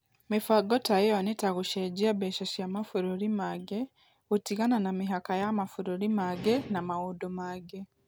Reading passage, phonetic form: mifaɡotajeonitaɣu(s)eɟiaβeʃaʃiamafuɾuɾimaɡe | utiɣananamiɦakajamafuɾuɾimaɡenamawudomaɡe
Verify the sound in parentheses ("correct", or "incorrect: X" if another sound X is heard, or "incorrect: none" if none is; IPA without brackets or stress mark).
incorrect: ʃ